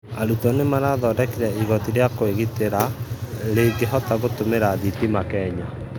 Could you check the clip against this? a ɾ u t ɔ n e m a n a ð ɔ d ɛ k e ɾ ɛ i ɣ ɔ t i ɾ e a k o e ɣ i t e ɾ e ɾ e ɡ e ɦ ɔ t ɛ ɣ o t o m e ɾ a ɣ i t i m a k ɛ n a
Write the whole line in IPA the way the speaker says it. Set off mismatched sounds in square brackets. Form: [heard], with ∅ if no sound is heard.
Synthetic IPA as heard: a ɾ u t ɔ n e m a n a ð ɔ d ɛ k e ɾ ɛ i ɣ ɔ t i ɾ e a k o e ɣ i t e ɾ [a] ɾ e ɡ e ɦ ɔ t [a] ɣ o t o m e ɾ a [ð] i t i m a k ɛ [ɲ] a